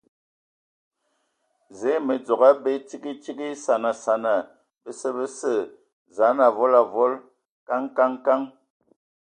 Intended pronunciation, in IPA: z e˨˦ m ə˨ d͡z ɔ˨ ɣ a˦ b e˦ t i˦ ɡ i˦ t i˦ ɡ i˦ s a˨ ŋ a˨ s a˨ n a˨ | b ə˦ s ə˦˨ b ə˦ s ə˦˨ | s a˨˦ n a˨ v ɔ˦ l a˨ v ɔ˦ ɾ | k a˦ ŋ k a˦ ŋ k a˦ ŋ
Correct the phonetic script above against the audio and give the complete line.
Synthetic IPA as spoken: z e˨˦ m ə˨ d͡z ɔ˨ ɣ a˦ b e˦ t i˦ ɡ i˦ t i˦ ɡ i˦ s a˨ n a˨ s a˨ n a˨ | b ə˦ s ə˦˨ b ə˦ s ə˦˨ | z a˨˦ n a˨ v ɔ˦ l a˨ v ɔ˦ l | k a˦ ŋ k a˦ ŋ k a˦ ŋ